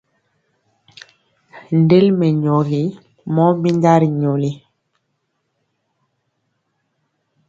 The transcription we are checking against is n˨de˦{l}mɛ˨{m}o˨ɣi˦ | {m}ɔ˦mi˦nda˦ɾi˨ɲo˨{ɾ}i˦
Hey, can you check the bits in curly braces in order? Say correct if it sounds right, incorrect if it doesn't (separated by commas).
correct, incorrect, correct, incorrect